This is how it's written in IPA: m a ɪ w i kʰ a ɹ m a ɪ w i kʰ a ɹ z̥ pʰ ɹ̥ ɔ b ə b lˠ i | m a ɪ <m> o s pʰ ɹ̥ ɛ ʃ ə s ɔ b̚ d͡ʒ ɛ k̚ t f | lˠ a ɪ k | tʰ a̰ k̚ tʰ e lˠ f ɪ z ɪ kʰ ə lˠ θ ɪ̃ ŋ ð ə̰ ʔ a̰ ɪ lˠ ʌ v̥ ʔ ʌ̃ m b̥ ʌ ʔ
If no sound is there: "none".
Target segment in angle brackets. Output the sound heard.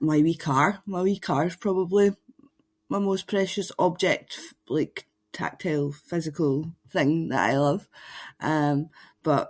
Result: m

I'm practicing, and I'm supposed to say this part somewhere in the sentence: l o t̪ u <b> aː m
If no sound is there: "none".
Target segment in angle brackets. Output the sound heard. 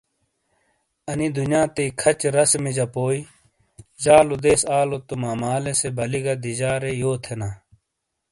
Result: m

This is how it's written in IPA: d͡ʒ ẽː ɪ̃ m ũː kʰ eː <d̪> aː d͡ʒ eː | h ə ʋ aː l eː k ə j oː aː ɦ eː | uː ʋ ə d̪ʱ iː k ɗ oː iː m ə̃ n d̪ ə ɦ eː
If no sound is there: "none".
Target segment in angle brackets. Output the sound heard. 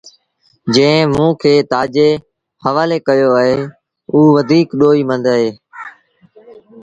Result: t̪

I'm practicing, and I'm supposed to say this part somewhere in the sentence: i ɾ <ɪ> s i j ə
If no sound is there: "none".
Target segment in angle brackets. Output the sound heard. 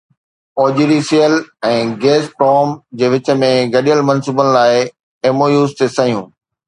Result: i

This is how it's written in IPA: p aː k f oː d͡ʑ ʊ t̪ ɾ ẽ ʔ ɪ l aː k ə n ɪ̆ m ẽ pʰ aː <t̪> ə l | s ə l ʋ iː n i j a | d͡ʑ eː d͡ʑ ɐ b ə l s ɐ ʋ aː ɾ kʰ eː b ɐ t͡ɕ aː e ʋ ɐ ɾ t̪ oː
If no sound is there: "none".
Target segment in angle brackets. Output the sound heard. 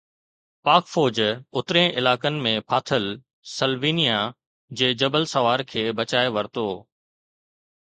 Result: t̪ʰ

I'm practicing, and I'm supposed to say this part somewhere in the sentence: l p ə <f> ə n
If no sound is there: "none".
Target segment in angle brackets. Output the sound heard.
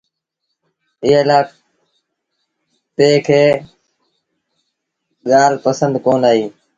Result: s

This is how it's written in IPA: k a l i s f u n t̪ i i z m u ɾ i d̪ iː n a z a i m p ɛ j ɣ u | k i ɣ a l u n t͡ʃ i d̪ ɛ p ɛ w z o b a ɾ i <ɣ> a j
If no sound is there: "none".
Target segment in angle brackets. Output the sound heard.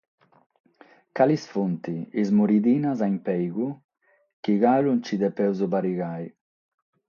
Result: ɣ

